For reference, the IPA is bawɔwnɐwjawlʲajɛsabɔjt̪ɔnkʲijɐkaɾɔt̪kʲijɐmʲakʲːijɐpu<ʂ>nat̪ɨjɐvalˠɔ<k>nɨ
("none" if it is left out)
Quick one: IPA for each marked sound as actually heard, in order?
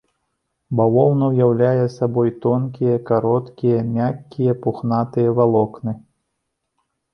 x, k

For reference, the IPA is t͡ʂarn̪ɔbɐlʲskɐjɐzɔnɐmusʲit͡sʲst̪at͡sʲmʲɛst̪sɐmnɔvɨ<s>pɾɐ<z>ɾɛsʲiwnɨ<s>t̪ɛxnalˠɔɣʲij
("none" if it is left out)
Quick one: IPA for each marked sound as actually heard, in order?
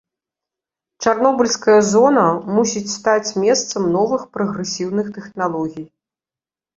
x, ɣ, x

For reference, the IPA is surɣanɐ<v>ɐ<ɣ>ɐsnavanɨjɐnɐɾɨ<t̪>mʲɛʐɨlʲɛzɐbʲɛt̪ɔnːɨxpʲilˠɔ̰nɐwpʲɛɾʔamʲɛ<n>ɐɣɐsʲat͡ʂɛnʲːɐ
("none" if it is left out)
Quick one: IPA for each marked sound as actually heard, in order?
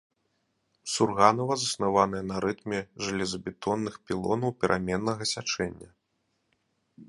v, z, t̪, nː

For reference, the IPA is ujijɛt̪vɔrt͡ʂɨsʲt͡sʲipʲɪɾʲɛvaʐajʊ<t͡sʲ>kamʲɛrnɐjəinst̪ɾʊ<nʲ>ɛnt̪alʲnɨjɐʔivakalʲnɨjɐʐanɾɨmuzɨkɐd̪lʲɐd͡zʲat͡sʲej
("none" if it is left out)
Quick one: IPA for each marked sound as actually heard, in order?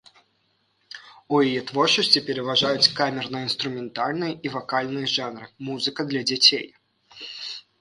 t͡sʲ, mʲ

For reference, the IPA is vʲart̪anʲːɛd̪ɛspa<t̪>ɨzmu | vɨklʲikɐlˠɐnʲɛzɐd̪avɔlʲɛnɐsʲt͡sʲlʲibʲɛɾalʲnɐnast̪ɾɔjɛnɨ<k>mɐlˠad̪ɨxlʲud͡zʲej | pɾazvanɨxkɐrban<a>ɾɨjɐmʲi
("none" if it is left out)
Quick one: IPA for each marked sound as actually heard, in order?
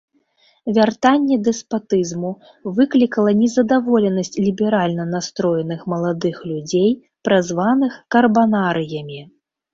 t̪, x, a

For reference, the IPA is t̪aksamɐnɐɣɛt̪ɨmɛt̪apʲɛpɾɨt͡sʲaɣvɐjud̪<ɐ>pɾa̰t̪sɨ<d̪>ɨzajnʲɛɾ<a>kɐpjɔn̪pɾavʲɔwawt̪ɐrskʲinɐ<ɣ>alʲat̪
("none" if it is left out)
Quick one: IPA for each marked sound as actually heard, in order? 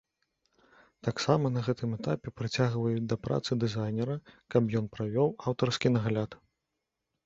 ɐ, d̪, ɐ, ɣ

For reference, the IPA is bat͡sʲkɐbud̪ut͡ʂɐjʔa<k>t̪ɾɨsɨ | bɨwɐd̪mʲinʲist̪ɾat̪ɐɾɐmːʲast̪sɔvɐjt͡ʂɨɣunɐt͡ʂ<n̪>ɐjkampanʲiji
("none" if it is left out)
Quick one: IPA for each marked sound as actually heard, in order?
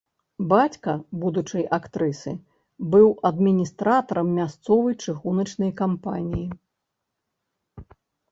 k, n̪

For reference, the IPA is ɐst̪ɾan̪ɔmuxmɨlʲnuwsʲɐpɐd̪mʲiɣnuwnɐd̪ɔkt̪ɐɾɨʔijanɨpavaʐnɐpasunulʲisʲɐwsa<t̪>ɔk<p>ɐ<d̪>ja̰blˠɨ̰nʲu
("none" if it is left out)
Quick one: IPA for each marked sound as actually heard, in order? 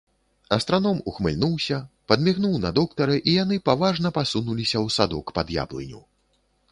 d̪, p, d̪

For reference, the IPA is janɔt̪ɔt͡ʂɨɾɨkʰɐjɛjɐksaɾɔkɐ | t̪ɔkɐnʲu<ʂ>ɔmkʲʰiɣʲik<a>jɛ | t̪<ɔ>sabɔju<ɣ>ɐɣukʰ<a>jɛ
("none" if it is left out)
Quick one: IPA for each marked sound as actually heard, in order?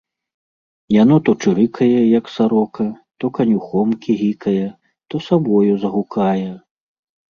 x, ɐ, ɔ, z, a

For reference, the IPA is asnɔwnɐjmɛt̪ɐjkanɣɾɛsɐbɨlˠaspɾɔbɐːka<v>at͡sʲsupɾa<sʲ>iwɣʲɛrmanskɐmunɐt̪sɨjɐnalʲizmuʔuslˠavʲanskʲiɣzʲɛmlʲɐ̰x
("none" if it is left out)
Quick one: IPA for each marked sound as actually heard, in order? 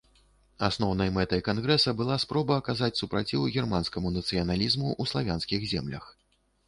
z, t͡sʲ

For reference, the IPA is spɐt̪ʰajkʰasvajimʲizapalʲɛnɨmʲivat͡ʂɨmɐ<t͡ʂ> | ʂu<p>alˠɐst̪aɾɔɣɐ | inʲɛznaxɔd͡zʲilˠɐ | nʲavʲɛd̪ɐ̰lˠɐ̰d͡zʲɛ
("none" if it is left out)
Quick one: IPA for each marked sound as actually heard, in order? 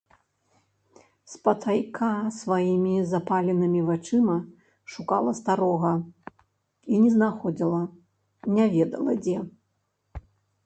none, k

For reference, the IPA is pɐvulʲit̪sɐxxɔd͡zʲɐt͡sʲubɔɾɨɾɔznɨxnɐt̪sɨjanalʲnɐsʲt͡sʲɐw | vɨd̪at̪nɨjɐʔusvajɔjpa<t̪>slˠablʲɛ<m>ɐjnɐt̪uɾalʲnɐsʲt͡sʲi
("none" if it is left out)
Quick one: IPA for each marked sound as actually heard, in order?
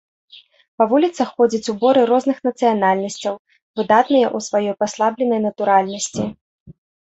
none, n

